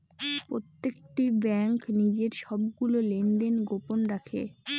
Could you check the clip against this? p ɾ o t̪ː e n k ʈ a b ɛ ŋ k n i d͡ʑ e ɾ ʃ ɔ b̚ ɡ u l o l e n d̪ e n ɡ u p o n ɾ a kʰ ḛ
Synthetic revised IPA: p ɾ o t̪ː e k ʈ i b ɛ ŋ k n i d͡ʑ e ɾ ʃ ɔ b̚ ɡ u l o l e n d̪ e n ɡ o p o n ɾ a kʰ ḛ